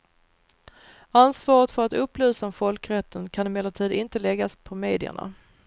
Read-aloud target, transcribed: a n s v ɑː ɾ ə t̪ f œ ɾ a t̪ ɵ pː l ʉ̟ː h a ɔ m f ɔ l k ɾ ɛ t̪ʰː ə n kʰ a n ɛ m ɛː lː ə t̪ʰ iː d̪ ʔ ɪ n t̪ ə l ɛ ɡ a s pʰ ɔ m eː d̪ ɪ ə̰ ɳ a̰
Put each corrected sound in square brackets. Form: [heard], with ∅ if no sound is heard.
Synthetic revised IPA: a n s v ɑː ɾ ə t̪ f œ ɾ a t̪ ɵ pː l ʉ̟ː [s] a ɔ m f ɔ l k ɾ ɛ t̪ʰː ə n kʰ a n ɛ m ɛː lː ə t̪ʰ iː d̪ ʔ ɪ n t̪ ə l ɛ ɡ a s pʰ ɔ m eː d̪ ɪ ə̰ ɳ a̰